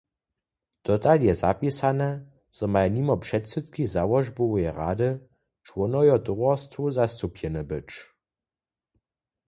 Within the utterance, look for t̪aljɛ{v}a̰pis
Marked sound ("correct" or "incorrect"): incorrect